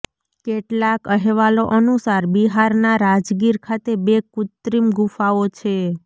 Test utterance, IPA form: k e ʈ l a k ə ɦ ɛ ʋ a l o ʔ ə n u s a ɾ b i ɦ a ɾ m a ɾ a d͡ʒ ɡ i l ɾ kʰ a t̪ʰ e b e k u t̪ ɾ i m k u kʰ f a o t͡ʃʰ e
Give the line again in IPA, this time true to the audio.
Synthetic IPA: k e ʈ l a k ə ɦ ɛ ʋ a l o ʔ ə n u s a ɾ b i ɦ a ɾ n a ɾ a d͡ʒ ɡ i ɾ kʰ a t̪ e b e k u t̪ ɾ i m ɡ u f a o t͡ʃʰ e